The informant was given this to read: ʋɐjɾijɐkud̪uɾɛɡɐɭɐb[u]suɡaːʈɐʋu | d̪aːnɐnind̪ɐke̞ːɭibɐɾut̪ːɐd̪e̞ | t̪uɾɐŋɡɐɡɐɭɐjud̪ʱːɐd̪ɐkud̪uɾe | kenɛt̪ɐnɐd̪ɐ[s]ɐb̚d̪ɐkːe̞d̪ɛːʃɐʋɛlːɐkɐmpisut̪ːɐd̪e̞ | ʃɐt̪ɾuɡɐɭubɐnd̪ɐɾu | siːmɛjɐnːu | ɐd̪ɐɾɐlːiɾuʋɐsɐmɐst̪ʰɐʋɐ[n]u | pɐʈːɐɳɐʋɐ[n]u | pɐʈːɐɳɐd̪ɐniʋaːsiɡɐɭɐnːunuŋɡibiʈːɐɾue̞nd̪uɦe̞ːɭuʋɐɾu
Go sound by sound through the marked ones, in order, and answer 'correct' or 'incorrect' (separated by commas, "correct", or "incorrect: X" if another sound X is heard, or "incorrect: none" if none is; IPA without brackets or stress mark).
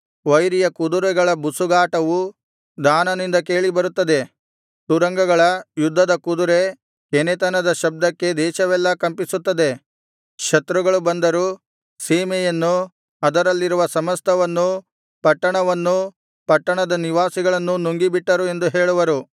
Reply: correct, incorrect: ʃ, incorrect: nː, incorrect: nː